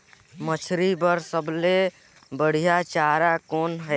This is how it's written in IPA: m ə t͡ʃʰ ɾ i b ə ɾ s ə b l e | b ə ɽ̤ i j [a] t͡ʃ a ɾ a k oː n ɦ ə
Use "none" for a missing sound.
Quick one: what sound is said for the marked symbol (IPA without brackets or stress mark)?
a